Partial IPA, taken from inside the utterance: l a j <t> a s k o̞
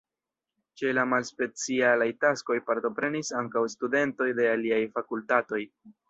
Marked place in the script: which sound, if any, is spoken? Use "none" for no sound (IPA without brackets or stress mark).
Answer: t